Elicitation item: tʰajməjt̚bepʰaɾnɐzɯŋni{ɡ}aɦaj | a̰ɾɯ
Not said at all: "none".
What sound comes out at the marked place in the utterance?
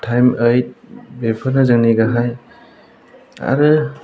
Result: ɡ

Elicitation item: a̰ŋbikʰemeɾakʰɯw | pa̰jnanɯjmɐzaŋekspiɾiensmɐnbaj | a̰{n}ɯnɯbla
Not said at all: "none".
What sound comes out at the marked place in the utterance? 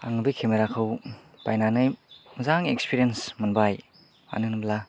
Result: n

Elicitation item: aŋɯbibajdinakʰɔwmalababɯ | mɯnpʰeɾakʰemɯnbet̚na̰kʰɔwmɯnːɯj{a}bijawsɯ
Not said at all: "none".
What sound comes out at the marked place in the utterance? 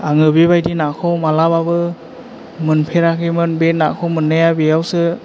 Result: a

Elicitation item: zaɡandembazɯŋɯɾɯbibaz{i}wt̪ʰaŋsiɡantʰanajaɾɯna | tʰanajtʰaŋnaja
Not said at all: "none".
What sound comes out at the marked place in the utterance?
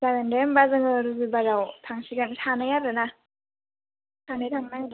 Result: a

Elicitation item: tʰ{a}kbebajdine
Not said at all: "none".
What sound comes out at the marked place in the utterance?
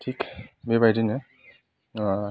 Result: i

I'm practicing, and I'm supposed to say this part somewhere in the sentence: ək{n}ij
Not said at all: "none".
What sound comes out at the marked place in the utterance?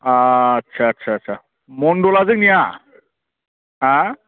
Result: n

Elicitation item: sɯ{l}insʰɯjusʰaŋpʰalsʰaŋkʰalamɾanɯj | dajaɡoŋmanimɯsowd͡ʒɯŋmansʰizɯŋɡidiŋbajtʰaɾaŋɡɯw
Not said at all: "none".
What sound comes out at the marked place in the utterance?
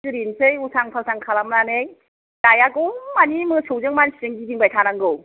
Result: ɾ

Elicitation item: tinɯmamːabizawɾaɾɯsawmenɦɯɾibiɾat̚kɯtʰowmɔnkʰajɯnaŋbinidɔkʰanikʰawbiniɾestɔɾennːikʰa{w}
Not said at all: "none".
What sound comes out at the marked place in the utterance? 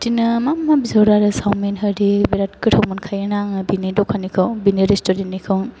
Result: w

